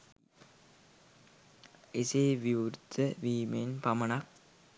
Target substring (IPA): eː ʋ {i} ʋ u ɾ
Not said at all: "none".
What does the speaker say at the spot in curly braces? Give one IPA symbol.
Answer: i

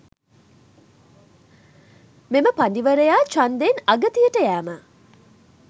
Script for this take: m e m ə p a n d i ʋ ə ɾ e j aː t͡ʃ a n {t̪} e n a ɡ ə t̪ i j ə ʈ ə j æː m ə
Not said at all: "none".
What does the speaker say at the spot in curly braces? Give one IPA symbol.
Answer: d̪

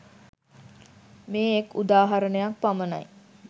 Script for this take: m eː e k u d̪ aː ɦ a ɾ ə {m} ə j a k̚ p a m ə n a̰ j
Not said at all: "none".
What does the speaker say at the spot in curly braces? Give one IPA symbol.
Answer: n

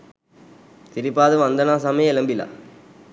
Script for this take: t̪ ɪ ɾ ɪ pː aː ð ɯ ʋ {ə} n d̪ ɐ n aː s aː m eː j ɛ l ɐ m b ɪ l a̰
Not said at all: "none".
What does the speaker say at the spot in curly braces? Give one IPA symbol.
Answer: ɐ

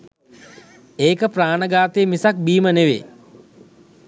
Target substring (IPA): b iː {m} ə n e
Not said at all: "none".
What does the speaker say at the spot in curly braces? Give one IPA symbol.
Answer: m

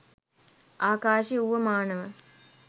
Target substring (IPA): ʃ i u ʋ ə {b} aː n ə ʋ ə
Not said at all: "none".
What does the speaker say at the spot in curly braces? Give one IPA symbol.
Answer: m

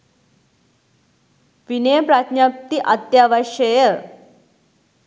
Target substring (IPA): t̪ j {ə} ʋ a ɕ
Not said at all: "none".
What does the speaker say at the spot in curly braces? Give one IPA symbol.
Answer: a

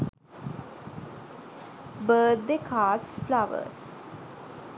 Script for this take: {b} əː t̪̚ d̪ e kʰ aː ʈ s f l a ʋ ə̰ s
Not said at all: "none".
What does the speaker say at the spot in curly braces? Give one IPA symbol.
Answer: b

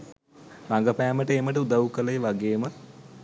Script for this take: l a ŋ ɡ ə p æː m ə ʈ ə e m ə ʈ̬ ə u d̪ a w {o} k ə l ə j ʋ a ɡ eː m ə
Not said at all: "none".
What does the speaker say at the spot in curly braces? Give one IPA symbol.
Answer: u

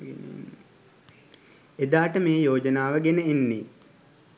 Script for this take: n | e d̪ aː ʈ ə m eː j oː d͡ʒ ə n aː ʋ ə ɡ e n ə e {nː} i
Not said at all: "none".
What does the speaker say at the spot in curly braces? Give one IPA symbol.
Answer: nː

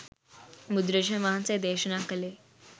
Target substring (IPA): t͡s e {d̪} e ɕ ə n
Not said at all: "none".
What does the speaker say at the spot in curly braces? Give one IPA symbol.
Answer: d̪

